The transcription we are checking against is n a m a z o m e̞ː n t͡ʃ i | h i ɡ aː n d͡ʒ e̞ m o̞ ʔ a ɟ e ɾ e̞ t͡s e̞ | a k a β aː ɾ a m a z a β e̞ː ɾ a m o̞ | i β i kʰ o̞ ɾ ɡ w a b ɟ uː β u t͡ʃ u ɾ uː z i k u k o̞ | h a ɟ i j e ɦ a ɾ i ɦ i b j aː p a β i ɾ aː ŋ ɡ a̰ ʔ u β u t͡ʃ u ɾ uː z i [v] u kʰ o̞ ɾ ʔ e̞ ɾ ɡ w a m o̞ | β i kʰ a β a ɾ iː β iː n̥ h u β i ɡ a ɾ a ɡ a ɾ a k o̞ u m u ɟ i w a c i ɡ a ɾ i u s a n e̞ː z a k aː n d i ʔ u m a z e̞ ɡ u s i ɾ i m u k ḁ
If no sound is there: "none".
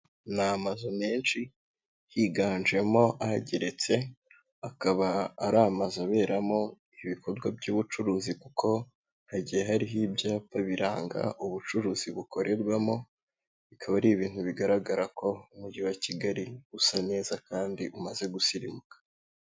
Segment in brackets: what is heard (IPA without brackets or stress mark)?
β